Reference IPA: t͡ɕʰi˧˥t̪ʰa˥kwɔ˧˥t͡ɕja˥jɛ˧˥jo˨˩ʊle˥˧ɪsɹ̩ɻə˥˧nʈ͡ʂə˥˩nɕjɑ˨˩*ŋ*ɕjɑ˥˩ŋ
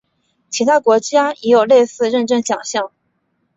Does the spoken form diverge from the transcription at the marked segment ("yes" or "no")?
no